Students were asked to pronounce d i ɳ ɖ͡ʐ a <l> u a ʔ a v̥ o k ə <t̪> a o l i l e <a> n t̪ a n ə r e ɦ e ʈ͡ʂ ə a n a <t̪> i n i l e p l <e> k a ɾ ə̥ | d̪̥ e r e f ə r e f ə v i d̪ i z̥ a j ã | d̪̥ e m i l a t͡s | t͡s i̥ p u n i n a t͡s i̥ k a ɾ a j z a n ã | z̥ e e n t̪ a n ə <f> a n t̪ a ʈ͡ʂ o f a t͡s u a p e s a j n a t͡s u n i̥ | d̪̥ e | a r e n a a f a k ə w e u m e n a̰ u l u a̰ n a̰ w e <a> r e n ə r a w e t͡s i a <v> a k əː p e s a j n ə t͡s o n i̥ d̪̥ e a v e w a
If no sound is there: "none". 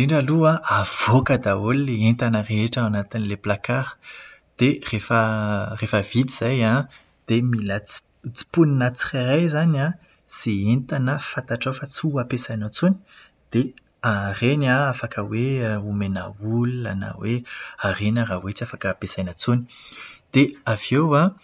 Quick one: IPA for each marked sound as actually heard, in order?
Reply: l, d̪, e, t̪, a, f, a, f

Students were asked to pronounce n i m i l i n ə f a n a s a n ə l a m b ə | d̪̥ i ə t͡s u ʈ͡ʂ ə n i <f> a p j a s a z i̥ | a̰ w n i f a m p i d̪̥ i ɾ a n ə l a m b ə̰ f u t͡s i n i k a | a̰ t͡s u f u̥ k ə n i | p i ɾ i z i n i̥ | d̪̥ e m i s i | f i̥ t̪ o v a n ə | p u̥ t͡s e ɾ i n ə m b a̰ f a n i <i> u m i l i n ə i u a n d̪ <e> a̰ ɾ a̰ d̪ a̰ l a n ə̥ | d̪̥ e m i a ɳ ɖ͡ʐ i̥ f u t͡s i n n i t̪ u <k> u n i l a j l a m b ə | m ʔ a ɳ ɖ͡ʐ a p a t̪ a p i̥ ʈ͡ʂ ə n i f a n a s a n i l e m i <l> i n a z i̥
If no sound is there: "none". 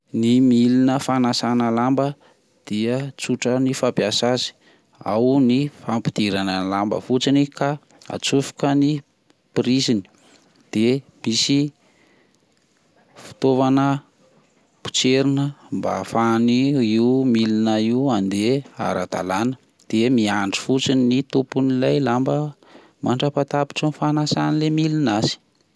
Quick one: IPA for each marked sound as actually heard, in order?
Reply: f, i, e, p, l

